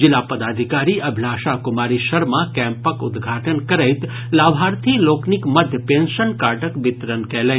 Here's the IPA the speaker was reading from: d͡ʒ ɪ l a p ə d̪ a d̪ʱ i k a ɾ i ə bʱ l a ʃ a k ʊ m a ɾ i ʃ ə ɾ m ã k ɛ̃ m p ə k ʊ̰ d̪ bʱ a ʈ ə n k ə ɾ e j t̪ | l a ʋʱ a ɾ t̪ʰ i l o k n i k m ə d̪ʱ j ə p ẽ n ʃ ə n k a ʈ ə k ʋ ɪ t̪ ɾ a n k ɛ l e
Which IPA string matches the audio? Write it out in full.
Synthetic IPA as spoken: d͡ʒ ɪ l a p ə d̪ a d̪ʱ i k a ɾ i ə bʱ l a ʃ a k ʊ m a ɾ i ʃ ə ɾ m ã k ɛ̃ m p ə k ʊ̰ d̪ ɡʱ a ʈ ə n k ə ɾ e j t̪ | l a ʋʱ a ɾ t̪ʰ i l o k n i k m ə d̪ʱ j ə p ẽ n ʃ ə n k a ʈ ə k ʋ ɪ t̪ ɾ ə n k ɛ l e

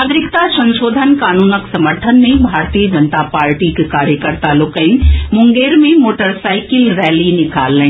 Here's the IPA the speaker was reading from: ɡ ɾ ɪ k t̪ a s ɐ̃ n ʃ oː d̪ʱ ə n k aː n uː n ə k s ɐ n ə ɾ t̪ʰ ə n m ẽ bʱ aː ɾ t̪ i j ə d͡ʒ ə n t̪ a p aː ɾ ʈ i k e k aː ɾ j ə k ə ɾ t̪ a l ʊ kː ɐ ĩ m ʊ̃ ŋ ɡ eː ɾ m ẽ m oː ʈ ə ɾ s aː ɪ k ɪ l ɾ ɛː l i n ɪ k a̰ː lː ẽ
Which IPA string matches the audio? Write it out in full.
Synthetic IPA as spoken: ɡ ɾ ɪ k t̪ a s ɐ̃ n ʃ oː d̪ʱ ə n k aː n uː n ə k s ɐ m ə ɾ t̪ʰ ə n m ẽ bʱ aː ɾ t̪ i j ə d͡ʒ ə n t̪ a p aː ɾ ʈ i k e k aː ɾ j ə k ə ɾ t̪ a l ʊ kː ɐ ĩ m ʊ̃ ŋ ɡ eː ɾ m ẽ m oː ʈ ə ɾ s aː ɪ k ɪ l ɾ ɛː l i n ɪ k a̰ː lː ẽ

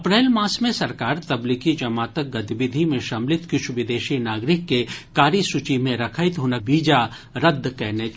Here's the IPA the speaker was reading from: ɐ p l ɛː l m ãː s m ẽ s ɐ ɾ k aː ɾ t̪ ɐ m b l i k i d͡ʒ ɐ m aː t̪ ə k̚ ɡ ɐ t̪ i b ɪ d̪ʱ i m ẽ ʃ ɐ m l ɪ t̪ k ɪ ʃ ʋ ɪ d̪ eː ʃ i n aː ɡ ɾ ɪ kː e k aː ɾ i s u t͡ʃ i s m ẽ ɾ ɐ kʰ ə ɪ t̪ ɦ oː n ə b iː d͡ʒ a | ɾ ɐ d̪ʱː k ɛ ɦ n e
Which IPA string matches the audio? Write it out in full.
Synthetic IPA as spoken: ɐ p ɾ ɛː l m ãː s m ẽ s ɐ ɾ k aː ɾ t̪ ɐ b l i k i d͡ʒ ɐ m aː t̪ ə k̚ ɡ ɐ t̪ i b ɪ d̪ʱ i m ẽ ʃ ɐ m l ɪ t̪ k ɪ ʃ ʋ ɪ d̪ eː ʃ i n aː ɡ ɾ ɪ kː e k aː ɾ i s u t͡ʃ i m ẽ ɾ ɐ kʰ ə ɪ t̪ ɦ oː n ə b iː d͡ʒ a | ɾ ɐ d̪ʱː k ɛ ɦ n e

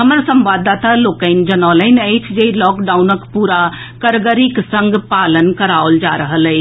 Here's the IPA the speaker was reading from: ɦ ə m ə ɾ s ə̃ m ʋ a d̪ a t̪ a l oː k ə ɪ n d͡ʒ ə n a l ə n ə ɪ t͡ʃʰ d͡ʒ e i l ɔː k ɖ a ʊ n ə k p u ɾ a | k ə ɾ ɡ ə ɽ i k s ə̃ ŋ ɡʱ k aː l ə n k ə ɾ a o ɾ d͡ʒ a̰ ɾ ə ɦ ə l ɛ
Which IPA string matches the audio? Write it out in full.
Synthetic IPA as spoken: ɦ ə m ə ɾ s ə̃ m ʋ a d̪ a t̪ a l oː k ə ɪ n d͡ʒ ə n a l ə n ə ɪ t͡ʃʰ d͡ʒ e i l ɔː k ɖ a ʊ n ə k p u ɾ a | k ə ɾ ɡ ə ɾ i k s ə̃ ŋ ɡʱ p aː l ə n k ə ɾ a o l d͡ʒ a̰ ɾ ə ɦ ə l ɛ

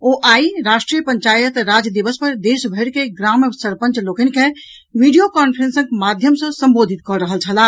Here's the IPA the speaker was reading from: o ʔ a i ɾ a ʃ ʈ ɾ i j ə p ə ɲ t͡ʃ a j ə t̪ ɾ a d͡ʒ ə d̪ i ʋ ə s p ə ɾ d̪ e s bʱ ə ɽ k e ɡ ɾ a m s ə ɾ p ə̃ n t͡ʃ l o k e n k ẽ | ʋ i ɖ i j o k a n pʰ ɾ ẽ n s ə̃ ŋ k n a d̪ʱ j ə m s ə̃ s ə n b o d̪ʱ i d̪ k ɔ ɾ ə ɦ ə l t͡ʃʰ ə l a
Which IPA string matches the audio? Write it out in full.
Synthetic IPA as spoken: o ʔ a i ɾ a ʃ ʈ ɾ i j ə p ə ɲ t͡ʃ a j ə t̪ ɾ a d͡ʒ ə d̪ i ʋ ə s p ə ɾ d̪ e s bʱ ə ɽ k e ɡ ɾ a m s ə ɾ p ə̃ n t͡ʃ l o k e n k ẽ | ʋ i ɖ i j o k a n pʰ ɾ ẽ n s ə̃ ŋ k m a d̪ʱ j ə m s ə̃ s ə m b o d̪ʱ i t̪ k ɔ ɾ ə ɦ ə l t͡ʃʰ ə l a

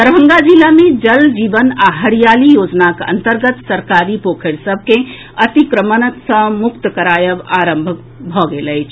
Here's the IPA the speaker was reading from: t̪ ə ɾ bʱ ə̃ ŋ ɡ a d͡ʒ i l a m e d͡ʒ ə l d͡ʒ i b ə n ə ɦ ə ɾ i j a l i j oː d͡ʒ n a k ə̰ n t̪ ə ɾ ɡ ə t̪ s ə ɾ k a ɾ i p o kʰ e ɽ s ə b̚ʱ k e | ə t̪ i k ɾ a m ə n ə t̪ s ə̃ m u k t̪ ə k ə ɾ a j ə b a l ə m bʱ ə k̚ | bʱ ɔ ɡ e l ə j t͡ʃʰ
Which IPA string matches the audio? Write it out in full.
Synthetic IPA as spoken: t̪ ə ɾ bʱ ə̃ ŋ ɡ a d͡ʒ i l a m e d͡ʒ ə l d͡ʒ i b ə n a ɦ ə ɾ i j a l i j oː d͡ʒ n a k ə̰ n t̪ ə ɾ ɡ ə t̪ s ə ɾ k a ɾ i p o kʰ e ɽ s ə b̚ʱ k e | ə t̪ i k ɾ ə m ə n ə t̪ s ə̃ m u k t̪ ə k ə ɾ a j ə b a ɾ ə m bʱ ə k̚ | bʱ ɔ ɡ e l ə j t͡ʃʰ

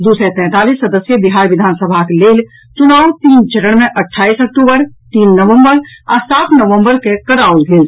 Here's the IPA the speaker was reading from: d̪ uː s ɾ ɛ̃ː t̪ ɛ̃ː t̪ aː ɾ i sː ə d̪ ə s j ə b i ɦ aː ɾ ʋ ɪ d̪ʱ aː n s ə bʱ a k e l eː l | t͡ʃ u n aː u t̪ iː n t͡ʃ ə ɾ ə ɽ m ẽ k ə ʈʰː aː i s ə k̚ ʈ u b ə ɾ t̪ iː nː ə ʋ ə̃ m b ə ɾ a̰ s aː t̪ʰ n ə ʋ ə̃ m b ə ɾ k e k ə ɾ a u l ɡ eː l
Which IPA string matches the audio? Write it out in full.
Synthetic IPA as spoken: d̪ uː s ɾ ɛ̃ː t̪ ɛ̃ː t̪ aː l i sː ə d̪ ə s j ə b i ɦ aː ɾ ʋ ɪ d̪ʱ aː n s ə bʱ a k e l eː l | t͡ʃ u n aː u t̪ iː n t͡ʃ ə ɾ ə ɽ m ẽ ʔ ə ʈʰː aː i s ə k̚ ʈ u b ə ɾ t̪ iː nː ə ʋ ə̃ m b ə ɾ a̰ s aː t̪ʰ n ə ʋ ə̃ m b ə ɾ k e k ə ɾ a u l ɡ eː l

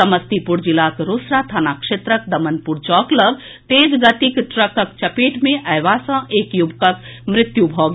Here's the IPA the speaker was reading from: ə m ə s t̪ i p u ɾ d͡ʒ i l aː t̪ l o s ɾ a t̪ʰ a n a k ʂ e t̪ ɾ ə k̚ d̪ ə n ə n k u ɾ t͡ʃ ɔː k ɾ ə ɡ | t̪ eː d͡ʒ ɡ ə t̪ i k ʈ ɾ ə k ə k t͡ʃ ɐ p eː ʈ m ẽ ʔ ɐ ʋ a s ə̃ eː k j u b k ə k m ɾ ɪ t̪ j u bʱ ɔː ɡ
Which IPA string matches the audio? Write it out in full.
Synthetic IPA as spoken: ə m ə s t̪ i p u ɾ d͡ʒ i l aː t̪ ɾ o s ɾ a t̪ʰ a n a k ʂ e t̪ ɾ ə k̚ d̪ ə m ə n p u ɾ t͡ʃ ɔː k l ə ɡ | t̪ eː d͡ʒ ɡ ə t̪ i k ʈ ɾ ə k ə k t͡ʃ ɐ p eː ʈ m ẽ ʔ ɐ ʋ a s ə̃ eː k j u b k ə k m ɾ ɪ t̪ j u bʱ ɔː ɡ

